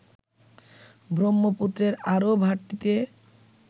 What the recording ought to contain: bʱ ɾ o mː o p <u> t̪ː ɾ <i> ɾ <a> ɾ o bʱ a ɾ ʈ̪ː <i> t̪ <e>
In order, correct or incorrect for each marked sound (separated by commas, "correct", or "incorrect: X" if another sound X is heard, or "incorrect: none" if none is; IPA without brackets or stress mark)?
correct, incorrect: e, correct, correct, correct